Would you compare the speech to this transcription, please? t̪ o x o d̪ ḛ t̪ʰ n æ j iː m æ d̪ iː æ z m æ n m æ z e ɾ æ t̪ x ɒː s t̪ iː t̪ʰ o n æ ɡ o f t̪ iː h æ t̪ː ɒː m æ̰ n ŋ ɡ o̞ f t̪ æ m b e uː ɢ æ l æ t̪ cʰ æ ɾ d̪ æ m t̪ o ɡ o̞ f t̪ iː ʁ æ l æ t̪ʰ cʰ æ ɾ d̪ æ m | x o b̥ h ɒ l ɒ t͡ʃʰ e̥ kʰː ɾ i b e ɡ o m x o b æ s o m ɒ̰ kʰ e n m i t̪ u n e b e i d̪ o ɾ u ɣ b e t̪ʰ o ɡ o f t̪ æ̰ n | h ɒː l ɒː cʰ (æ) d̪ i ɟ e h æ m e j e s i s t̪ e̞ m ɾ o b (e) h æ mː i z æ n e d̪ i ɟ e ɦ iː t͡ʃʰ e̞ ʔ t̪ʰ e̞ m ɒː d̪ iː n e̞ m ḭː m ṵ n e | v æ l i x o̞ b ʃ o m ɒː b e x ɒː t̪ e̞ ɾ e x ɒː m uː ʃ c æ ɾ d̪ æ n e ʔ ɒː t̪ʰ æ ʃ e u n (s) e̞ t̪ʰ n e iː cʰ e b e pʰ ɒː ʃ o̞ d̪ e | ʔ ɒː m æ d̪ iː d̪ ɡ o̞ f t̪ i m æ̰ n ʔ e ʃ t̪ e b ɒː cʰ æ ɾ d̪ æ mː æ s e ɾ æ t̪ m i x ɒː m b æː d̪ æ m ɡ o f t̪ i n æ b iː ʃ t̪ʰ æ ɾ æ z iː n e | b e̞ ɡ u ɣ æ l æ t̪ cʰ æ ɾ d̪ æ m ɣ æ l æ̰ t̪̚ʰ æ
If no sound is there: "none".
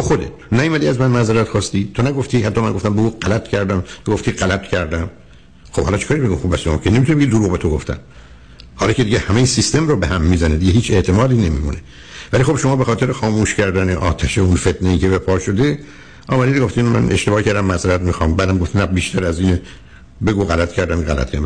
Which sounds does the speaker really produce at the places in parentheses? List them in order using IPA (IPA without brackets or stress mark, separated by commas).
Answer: e, e, f